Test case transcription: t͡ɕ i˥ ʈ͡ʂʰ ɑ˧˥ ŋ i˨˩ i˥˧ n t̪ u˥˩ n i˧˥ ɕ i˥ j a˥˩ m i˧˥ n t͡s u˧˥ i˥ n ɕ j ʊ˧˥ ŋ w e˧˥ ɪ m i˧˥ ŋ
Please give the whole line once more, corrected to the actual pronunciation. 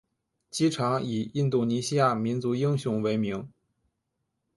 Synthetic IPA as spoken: t͡ɕ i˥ ʈ͡ʂʰ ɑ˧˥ ŋ i˨˩ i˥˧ n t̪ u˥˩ n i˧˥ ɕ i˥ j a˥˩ m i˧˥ n t͡s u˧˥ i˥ ŋ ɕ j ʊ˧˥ ŋ w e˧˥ ɪ m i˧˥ ŋ